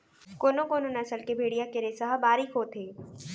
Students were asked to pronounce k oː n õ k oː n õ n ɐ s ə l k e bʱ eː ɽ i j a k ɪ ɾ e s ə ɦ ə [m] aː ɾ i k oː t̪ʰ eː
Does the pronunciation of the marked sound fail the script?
yes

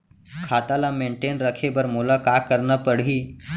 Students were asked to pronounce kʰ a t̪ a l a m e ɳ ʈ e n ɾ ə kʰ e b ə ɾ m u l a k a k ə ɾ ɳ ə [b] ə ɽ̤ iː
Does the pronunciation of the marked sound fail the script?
yes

